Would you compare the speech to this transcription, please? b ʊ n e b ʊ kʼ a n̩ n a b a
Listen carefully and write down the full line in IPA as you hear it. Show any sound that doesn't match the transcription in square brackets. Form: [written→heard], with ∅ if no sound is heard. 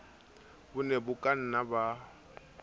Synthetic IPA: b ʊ n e b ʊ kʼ a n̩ n a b a